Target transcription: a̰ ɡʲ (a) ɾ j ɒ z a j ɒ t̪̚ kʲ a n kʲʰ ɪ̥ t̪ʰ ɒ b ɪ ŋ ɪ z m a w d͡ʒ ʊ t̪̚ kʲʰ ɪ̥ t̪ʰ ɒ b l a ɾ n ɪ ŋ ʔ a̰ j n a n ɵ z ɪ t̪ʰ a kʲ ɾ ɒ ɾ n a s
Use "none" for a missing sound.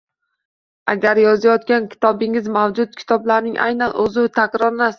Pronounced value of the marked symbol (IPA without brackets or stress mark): a